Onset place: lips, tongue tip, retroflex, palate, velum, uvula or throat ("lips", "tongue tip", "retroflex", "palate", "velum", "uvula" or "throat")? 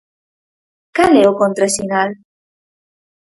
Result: velum